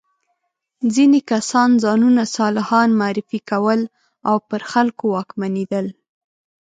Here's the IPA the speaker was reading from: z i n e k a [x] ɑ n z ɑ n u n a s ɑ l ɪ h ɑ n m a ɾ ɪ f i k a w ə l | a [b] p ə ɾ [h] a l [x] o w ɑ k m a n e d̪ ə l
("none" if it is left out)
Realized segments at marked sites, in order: s, w, x, k

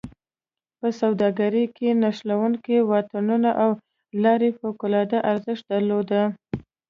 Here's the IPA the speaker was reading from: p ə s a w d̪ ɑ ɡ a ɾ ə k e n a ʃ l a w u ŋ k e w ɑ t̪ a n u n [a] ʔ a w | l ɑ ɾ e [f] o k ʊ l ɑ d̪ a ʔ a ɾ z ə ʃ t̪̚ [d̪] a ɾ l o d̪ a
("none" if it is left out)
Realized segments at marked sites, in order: a, f, d̪

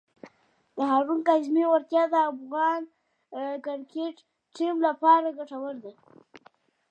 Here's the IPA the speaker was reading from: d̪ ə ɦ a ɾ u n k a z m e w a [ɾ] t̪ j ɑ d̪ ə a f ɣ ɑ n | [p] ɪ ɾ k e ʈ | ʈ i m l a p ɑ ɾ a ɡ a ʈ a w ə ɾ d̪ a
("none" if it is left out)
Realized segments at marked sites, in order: ɾ, k

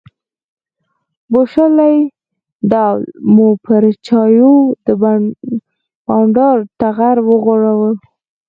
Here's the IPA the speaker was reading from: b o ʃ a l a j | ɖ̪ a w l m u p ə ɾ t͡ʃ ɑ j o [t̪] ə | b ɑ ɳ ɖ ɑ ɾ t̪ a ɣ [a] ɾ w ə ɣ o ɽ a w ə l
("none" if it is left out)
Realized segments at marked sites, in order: d̪, a

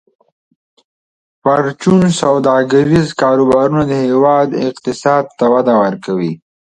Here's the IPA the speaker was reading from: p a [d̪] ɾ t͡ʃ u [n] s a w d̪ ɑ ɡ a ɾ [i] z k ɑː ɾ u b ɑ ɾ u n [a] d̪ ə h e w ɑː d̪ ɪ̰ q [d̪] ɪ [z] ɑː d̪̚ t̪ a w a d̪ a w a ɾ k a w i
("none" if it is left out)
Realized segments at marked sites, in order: none, n, i, a, t̪, s

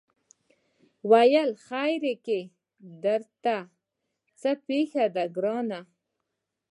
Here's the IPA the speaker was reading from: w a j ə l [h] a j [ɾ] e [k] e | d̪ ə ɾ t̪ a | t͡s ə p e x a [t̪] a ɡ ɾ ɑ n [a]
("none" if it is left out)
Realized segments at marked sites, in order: x, ɾ, k, d̪, a

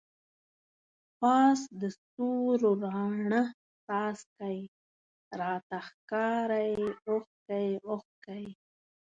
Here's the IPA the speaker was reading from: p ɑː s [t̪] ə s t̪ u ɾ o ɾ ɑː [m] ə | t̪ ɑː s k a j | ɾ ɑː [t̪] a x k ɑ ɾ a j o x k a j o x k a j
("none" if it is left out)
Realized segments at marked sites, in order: d̪, ɳ, t̪

